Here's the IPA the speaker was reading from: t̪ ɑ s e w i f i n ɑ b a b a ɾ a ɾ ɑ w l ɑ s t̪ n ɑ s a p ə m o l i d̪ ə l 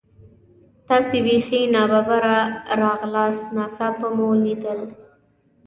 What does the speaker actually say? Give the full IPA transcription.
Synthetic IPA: t̪ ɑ s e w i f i n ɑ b a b a ɾ a ɾ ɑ ɣ l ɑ s t̪ n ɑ s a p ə m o l i d̪ ə l

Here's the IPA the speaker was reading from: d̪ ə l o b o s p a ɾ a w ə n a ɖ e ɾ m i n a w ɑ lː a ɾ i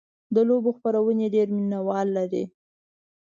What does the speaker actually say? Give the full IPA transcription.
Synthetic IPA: d̪ ə l o b o x p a ɾ a w ə n e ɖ e ɾ m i n a w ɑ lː a ɾ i

